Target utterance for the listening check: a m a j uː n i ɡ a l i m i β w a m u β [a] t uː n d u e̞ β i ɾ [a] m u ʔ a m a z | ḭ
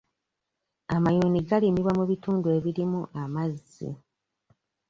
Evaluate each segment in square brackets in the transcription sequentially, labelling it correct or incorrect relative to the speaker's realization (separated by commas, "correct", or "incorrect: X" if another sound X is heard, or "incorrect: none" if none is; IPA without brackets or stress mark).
incorrect: i, incorrect: i